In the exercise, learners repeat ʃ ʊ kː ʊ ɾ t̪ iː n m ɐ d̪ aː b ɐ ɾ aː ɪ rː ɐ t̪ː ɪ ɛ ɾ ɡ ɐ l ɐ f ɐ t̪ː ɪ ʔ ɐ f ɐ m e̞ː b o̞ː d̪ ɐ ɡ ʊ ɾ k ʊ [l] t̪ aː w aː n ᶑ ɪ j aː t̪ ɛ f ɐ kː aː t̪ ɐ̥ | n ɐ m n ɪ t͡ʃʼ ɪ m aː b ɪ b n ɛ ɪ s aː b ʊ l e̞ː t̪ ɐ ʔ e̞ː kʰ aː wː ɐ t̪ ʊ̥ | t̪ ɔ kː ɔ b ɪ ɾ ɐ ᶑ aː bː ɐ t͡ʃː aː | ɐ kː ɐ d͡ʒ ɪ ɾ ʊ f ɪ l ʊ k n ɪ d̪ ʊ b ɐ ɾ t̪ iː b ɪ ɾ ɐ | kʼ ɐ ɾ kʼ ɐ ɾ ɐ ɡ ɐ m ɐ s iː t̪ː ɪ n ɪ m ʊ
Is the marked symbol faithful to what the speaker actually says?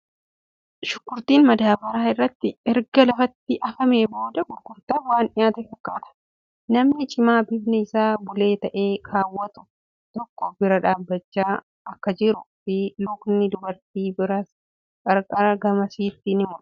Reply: no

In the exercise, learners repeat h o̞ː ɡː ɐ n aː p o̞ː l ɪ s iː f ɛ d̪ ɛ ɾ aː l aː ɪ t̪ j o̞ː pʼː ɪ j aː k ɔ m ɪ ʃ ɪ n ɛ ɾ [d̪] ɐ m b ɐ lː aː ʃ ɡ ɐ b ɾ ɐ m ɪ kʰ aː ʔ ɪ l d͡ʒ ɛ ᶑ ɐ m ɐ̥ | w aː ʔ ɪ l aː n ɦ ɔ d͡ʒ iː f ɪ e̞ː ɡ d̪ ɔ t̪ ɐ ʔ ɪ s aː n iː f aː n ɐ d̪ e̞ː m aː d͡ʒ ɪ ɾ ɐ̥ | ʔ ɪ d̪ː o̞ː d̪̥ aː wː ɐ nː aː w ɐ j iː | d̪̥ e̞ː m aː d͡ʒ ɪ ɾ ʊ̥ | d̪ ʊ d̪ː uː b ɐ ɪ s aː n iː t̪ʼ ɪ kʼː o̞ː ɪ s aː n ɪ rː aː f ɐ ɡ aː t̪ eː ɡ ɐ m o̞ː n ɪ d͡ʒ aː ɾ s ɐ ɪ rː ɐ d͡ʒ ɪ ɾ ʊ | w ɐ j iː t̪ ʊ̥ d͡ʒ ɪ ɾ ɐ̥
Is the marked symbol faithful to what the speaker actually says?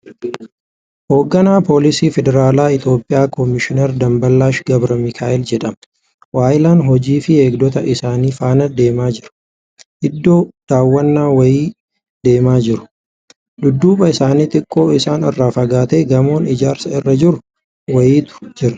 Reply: yes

